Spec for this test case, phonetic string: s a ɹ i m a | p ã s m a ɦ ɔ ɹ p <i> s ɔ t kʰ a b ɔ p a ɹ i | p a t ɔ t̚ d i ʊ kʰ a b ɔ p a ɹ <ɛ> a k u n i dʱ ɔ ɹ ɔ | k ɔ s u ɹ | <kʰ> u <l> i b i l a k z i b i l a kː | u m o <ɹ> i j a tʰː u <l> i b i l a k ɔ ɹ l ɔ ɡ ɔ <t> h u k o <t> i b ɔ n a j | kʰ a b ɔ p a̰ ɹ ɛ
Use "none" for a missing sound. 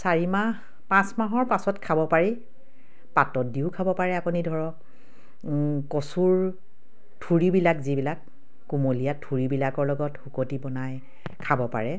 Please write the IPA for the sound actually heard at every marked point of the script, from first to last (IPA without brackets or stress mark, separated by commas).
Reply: a, ɛ, tʰ, ɹ, l, ɹ, t, t